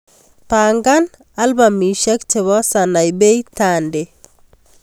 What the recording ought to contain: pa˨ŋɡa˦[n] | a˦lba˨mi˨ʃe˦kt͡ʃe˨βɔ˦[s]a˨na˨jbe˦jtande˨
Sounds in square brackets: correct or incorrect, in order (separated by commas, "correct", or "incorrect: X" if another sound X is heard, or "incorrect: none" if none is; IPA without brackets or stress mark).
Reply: correct, correct